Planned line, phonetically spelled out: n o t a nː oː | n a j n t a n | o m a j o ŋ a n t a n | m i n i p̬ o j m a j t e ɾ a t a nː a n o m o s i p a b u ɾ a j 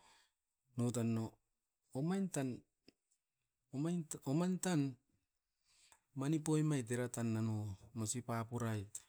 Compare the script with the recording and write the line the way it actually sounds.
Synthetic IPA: n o t a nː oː | m a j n t a n | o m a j o m a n t a n | m a n i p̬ o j m a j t e ɾ a t a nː a n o m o s i p a p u ɾ a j